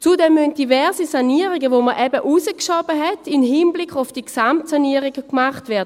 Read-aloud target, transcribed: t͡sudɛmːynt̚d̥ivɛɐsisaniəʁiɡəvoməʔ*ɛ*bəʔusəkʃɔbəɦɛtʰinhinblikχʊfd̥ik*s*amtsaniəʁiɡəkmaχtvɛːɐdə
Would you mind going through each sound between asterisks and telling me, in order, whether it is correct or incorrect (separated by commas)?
correct, correct